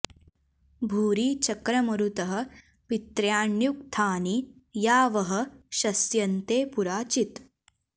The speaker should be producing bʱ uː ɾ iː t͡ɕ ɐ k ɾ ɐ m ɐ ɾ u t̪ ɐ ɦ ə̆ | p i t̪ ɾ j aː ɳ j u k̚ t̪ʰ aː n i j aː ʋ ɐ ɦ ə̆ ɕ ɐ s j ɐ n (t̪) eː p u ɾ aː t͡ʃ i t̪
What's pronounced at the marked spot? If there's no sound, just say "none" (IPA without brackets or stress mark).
t̪